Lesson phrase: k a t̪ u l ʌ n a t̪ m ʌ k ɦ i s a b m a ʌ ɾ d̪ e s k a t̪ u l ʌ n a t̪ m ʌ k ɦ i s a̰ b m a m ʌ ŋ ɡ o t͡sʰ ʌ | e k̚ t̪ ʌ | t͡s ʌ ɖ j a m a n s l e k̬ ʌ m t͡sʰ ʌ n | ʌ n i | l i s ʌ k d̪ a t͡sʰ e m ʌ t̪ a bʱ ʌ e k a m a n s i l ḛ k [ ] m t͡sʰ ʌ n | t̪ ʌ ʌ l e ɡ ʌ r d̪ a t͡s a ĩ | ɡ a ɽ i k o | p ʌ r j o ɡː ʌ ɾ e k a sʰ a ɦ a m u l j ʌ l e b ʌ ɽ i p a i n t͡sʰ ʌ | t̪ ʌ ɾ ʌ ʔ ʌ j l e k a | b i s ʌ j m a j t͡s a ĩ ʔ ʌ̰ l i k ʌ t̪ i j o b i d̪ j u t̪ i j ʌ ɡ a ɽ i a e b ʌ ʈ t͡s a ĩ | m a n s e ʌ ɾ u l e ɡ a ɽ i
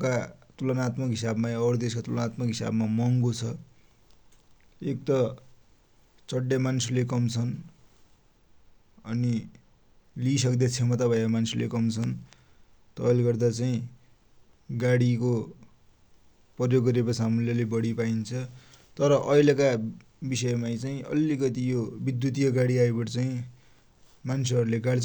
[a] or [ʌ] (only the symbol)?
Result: ʌ